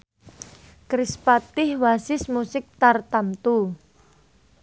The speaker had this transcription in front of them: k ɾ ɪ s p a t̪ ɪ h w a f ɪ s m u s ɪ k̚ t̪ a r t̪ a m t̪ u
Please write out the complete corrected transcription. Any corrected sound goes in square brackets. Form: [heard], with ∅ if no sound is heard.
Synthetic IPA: k ɾ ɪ s p a t̪ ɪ h w a [s] ɪ s m u s ɪ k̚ t̪ a r t̪ a m t̪ u